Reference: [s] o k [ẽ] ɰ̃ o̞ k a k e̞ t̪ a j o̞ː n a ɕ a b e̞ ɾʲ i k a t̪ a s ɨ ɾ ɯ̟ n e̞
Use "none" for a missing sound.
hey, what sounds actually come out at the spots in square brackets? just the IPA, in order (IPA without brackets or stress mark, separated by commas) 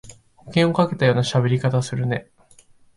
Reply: h, ẽ